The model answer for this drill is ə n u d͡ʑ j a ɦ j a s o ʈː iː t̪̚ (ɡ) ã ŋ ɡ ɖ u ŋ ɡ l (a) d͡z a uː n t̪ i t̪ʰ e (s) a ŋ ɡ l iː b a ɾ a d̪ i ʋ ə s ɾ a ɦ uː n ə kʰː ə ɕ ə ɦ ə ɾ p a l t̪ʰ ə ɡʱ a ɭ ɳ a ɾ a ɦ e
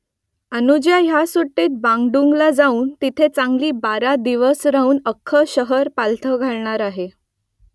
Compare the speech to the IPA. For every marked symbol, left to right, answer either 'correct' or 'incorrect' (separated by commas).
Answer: incorrect, correct, incorrect